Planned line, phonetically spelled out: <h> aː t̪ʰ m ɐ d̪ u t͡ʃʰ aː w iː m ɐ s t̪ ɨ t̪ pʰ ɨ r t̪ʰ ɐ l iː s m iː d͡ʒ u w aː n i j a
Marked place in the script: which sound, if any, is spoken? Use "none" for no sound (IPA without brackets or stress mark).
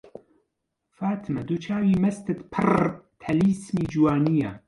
f